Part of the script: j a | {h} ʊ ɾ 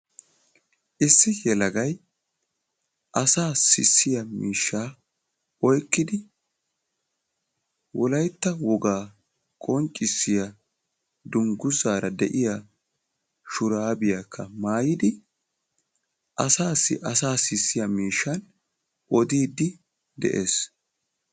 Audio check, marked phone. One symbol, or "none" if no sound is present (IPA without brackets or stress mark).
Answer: ʃ